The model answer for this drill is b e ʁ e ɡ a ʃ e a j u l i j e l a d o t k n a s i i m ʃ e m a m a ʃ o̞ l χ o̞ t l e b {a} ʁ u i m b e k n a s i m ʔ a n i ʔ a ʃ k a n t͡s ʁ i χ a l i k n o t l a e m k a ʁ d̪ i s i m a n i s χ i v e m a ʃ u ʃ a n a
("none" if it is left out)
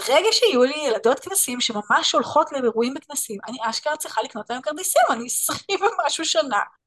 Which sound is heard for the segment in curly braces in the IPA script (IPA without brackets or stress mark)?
e